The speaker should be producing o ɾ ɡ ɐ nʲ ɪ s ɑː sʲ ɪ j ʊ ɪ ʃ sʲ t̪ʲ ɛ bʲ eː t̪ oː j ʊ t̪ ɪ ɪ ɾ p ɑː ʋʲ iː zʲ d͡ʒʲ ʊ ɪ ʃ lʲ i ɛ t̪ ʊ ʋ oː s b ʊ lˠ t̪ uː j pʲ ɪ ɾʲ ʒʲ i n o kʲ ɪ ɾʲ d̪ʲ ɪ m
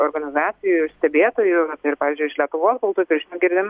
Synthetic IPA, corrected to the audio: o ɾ ɡ ɐ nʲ ɪ z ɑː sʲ ɪ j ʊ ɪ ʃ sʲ t̪ʲ ɛ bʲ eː t̪ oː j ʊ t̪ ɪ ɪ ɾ p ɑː ʋʲ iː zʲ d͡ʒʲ ʊ ɪ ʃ lʲ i ɛ t̪ ʊ ʋ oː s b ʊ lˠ t̪ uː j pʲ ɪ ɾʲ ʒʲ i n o ɡʲ ɪ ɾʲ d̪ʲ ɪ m